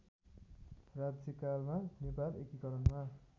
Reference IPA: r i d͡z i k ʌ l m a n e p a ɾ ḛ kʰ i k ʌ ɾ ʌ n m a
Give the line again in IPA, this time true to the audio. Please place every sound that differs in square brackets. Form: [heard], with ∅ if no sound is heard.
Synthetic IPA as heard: r [a] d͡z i k [a] l m a n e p a [l] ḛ [k] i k ʌ ɾ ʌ n m a